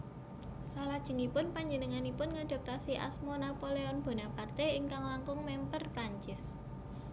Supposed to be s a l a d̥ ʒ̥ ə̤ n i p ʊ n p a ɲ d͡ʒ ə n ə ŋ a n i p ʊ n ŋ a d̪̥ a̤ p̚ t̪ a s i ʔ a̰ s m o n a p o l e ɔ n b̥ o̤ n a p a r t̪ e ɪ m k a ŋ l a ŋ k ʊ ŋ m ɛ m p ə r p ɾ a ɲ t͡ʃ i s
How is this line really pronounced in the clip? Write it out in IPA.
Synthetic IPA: s a l a d̥ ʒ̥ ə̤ ŋ i p ʊ n p a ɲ d͡ʒ ə n ə ŋ a n i p ʊ n ŋ a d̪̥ a̤ p̚ t̪ a s i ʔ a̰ s m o n a p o l e ɔ n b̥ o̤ n a p a r t̪ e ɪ ŋ k a ŋ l a ŋ k ʊ ŋ m ɛ m p ə r p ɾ a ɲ t͡ʃ ɪ s